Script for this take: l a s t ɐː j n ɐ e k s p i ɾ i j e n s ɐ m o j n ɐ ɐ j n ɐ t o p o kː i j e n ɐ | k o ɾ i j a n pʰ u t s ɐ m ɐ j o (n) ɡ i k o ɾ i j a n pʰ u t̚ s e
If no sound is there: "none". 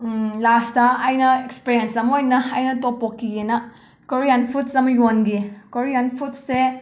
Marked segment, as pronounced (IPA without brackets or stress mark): n